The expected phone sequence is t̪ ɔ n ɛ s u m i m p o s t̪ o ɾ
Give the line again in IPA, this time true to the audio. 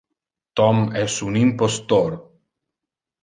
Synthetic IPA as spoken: t̪ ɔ m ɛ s u n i m p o s t̪ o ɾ